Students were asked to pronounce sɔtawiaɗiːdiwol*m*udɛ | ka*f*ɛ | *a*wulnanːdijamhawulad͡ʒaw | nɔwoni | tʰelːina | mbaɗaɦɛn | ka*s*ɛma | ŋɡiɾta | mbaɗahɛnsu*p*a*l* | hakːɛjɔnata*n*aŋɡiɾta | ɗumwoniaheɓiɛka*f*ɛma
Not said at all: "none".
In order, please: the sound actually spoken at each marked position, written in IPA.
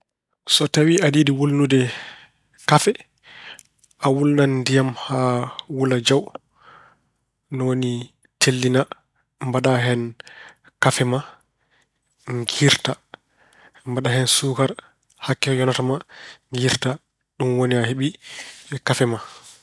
n, f, a, f, k, ɾ, m, f

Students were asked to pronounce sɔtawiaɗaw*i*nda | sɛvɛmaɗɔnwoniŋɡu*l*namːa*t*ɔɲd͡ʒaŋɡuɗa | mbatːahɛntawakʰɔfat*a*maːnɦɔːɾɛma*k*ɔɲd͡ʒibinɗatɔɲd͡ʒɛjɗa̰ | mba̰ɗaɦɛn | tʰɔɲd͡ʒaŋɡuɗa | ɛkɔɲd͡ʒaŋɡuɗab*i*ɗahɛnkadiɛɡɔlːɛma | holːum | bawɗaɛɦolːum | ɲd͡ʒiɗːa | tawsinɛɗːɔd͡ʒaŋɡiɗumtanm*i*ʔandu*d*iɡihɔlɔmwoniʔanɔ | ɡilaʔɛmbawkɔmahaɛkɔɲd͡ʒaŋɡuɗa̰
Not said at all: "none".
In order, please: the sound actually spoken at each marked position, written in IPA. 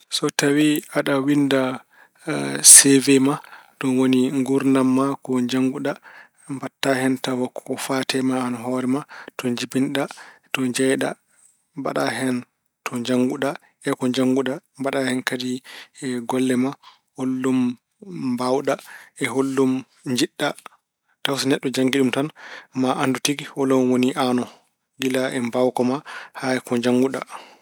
i, ɾ, k, ɛ, t, a, a, t

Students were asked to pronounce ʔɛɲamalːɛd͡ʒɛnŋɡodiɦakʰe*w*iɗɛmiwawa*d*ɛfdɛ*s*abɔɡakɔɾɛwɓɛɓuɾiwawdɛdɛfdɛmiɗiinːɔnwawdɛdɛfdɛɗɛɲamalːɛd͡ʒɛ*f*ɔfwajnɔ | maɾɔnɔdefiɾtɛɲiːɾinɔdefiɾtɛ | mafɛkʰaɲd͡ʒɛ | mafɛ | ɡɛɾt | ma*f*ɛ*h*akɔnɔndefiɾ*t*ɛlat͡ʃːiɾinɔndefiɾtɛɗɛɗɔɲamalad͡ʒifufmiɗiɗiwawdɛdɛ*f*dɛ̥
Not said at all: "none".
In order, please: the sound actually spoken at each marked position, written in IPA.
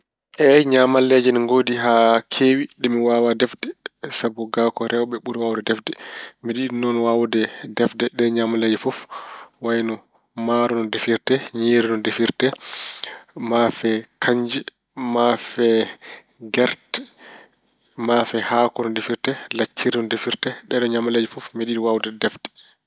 w, d, s, f, f, h, t, f

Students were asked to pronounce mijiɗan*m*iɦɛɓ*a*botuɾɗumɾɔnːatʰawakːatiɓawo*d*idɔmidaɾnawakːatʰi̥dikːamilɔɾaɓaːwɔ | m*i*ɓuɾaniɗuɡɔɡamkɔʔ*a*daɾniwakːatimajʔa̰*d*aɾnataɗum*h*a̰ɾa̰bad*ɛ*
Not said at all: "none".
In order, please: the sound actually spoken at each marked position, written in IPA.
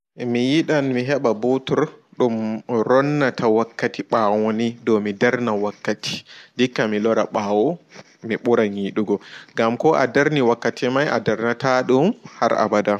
m, a, n, i, a, d, h, a

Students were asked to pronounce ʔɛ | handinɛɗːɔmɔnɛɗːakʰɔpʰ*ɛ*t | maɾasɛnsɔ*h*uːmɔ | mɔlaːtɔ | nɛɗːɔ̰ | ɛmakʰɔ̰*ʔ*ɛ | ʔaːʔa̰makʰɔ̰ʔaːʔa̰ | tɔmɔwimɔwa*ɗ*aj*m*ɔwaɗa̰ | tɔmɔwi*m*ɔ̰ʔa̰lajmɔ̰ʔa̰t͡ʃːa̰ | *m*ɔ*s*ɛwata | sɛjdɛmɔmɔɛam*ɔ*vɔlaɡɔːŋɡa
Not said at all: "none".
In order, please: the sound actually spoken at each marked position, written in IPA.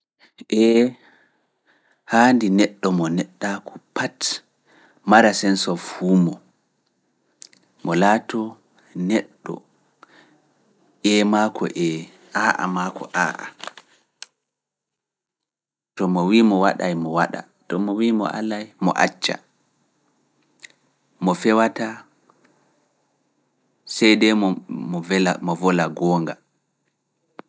a, f, ʔ, ɗ, m, m, m, f, ɔ

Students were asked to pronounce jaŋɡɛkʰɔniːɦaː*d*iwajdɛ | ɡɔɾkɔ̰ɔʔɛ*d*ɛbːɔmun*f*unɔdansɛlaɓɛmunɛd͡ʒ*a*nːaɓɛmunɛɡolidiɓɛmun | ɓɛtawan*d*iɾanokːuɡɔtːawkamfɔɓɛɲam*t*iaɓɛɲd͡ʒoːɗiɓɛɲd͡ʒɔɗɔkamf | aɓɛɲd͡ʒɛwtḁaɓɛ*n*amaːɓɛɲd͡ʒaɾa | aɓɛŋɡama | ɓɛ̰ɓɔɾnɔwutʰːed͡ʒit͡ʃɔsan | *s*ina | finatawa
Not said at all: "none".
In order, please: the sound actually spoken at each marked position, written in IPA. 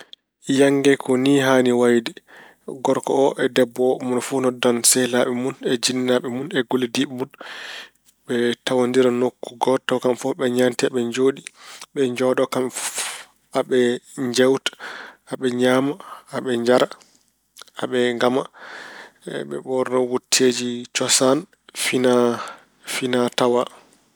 n, d, f, i, d, t, ɲ, f

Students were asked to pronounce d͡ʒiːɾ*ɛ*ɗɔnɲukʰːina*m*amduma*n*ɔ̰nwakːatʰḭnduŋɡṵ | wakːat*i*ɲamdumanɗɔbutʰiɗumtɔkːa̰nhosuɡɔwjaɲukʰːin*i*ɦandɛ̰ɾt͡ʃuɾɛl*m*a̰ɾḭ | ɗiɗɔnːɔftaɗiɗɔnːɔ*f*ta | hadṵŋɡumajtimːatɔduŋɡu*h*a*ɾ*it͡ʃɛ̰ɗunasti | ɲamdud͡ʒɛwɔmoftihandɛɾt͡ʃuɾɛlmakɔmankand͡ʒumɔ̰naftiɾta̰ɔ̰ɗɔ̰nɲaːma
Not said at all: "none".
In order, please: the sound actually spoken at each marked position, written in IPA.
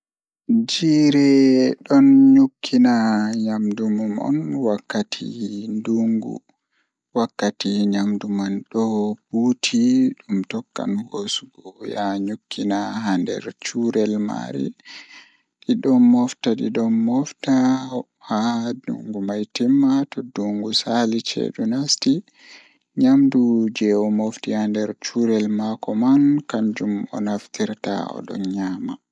ɛ, ɲ, m, i, a, m, f, s, l

